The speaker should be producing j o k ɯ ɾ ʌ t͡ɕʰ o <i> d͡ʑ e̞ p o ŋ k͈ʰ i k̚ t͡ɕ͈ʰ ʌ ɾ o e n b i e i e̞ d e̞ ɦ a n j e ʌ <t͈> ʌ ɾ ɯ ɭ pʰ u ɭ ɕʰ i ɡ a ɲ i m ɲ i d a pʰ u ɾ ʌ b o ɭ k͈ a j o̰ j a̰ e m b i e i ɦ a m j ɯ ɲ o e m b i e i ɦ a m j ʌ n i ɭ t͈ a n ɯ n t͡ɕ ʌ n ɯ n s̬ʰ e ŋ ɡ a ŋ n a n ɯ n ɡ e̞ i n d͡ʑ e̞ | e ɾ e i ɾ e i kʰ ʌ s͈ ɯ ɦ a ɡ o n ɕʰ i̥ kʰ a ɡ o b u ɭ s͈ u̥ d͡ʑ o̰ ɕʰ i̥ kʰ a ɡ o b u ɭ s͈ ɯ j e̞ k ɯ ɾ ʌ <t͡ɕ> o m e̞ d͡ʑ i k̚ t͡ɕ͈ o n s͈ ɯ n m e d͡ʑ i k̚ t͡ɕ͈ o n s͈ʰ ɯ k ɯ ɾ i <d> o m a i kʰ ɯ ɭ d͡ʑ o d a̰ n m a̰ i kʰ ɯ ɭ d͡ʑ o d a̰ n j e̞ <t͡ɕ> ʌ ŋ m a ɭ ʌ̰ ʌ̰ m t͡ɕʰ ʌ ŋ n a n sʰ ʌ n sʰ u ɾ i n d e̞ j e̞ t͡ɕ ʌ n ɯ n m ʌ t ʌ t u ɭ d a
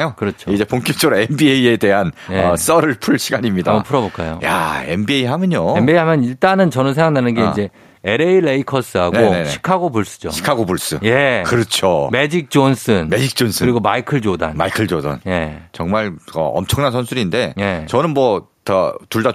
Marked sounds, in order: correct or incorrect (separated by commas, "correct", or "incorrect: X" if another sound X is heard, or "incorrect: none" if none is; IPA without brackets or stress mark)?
correct, incorrect: s͈, incorrect: t͡ɕʰ, incorrect: ɡ, correct